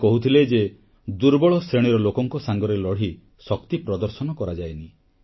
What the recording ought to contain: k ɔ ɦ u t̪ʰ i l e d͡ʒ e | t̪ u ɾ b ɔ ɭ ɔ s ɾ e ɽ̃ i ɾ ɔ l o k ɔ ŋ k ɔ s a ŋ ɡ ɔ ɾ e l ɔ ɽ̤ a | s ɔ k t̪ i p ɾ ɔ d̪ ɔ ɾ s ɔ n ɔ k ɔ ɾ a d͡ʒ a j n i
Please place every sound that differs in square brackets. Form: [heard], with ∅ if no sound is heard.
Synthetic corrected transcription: k ɔ ɦ u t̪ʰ i l e d͡ʒ e | [d̪] u ɾ b ɔ ɭ ɔ s ɾ e ɽ̃ i ɾ ɔ l o k ɔ ŋ k ɔ s a ŋ ɡ ɔ ɾ e l ɔ ɽ̤ [i] | s ɔ k t̪ i p ɾ ɔ d̪ ɔ ɾ s ɔ n ɔ k ɔ ɾ a d͡ʒ a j n i